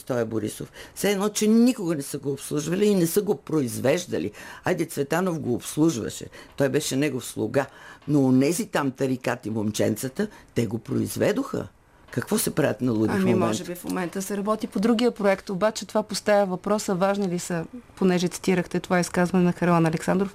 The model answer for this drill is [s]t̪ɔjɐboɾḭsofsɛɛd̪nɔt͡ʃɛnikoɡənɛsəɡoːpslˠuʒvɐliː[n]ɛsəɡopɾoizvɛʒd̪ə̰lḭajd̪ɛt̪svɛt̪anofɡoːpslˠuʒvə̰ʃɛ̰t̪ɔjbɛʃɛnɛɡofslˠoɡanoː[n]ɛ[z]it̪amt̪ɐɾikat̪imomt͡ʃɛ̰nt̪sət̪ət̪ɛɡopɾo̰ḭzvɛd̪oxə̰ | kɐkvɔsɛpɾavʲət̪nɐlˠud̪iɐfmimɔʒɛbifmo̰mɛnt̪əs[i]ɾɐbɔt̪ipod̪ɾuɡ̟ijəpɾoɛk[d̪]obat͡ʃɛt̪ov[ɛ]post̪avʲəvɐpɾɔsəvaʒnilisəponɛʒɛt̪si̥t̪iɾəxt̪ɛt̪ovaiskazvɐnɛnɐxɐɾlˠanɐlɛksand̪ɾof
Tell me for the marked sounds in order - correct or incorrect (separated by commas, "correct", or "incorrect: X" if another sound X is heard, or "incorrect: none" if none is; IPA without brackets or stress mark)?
correct, correct, correct, correct, incorrect: ɛ, incorrect: t̪, incorrect: a